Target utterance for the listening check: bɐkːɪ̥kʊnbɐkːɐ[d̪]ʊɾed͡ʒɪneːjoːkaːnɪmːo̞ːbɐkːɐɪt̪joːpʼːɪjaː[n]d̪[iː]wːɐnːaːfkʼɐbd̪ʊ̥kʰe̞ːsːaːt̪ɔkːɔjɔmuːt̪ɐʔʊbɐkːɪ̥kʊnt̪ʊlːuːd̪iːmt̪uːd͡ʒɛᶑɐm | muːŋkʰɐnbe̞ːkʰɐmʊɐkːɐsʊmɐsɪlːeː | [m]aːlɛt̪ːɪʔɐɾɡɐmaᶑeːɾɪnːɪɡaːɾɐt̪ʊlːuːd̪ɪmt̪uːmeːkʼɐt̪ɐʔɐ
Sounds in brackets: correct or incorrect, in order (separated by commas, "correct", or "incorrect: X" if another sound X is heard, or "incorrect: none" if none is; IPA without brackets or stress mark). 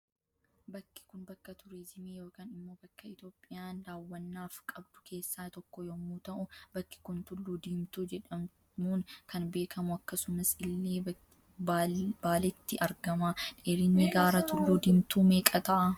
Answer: incorrect: t̪, correct, incorrect: aː, incorrect: b